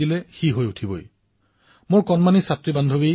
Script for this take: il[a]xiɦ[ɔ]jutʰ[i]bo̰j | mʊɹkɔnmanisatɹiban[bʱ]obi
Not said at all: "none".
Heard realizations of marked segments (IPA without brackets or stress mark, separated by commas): ɛ, o, i, dʱ